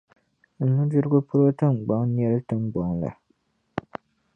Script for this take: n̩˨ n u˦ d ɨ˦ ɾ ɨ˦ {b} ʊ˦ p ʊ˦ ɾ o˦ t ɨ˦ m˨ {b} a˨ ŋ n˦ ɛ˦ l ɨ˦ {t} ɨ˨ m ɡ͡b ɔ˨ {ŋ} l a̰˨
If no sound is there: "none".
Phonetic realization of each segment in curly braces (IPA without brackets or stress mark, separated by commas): ɡ, ɡ͡b, t, ŋ